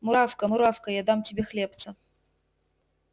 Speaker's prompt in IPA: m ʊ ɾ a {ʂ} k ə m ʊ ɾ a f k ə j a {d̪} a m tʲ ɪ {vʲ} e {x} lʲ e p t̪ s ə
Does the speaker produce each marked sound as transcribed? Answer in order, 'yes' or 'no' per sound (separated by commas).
no, yes, no, yes